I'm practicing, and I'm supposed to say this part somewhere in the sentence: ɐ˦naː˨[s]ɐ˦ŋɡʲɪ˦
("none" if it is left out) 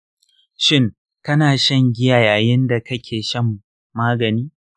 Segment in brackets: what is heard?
ʃ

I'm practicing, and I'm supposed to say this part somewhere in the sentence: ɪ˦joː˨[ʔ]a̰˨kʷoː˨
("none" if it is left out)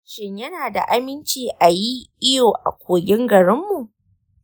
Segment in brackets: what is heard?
ʔ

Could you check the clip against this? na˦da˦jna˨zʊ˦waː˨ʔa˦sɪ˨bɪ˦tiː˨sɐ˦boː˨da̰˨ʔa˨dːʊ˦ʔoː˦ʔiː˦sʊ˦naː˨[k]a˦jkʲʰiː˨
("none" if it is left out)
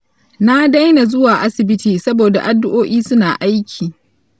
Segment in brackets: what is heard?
ʔ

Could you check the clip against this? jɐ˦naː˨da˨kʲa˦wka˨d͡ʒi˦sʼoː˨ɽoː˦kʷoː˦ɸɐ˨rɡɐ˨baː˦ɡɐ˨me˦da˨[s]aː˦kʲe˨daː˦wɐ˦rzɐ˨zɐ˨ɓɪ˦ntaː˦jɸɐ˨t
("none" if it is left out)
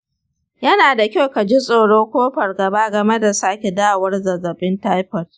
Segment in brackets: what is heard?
s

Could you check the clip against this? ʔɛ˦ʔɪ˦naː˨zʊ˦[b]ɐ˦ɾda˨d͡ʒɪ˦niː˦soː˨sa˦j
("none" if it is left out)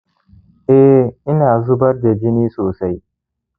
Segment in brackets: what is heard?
b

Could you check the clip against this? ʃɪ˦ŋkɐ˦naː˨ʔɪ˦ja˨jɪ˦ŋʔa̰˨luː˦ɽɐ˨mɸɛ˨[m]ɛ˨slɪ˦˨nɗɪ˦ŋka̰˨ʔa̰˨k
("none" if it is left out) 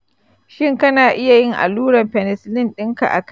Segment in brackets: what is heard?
n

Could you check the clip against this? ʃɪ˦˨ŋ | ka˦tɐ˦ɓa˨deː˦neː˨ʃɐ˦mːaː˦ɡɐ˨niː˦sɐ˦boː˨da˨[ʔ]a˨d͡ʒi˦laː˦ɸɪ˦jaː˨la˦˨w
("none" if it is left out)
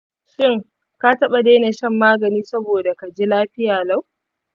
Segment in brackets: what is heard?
k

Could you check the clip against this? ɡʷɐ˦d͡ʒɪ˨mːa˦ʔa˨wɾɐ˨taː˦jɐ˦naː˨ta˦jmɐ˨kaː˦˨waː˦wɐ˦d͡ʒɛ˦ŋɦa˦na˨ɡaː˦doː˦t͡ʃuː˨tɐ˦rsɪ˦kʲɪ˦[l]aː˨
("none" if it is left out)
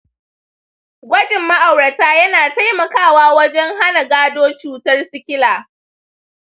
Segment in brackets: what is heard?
l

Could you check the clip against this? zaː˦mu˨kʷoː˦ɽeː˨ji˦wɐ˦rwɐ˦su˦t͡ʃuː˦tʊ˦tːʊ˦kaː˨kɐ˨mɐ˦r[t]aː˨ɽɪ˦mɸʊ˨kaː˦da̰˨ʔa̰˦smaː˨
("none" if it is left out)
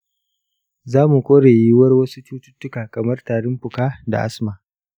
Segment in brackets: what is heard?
t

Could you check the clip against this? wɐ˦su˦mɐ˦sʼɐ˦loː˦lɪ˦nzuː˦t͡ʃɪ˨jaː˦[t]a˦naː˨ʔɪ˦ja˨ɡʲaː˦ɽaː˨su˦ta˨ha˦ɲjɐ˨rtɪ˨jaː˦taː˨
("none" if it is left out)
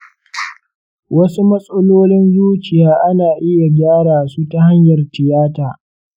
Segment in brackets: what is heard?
ʔ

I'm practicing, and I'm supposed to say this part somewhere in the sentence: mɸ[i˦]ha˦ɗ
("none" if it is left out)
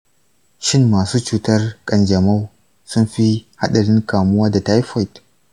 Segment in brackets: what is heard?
i˦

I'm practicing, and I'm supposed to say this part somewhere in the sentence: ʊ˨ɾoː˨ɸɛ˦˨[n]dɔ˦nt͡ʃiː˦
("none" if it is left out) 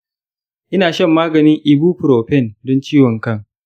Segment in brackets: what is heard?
n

